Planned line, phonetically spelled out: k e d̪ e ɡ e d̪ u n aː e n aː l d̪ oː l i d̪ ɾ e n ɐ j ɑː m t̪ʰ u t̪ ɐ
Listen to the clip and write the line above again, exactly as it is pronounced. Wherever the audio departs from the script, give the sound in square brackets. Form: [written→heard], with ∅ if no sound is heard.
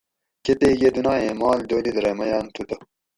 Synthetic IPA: k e [d̪→t̪] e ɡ e d̪ u n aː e [n→m] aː l d̪ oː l i d̪ ɾ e [n→m] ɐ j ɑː [m→n] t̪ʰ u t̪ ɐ